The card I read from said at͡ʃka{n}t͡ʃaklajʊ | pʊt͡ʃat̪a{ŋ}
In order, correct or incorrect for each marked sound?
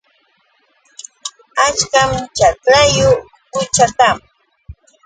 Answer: incorrect: m, incorrect: m

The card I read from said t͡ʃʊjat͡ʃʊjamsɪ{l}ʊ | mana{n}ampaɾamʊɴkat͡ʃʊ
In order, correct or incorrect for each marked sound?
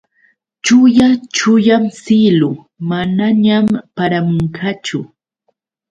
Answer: correct, incorrect: ɲ

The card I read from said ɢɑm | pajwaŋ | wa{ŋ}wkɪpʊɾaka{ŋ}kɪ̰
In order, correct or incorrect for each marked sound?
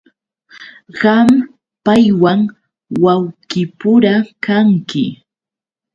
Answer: incorrect: none, correct

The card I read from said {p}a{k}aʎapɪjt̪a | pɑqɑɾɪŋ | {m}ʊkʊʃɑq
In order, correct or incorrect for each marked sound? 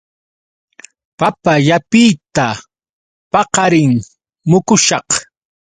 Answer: correct, incorrect: p, correct

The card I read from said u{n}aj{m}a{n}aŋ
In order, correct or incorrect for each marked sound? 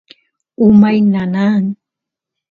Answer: incorrect: m, incorrect: n, correct

